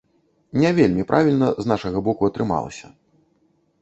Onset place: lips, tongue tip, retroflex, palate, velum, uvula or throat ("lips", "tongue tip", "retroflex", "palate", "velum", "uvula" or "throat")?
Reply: tongue tip